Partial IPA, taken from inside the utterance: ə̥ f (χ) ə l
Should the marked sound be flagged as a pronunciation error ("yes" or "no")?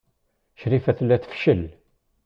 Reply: yes